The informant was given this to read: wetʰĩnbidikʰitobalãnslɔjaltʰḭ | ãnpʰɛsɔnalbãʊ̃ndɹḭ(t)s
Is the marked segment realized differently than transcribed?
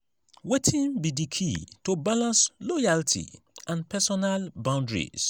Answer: yes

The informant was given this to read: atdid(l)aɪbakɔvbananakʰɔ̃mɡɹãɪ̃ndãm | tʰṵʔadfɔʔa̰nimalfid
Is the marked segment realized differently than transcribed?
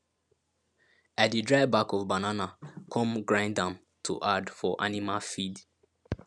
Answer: yes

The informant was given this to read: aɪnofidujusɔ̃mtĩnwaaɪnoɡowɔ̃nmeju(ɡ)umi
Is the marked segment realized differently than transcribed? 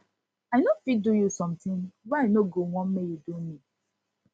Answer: yes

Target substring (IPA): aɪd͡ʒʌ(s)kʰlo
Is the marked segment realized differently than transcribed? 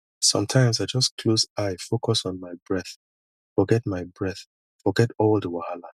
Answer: no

